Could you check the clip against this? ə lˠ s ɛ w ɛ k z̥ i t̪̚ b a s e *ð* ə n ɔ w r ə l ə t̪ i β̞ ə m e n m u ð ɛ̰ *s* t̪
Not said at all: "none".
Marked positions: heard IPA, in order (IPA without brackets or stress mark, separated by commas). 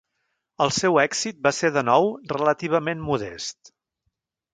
ð, s